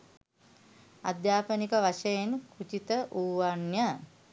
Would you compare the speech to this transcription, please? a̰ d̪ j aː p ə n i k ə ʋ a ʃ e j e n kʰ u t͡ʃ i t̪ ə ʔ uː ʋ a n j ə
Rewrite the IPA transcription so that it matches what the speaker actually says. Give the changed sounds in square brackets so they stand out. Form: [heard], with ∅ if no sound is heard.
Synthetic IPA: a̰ d̪ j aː p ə n i k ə ʋ a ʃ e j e n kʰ u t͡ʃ i t̪ ə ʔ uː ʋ a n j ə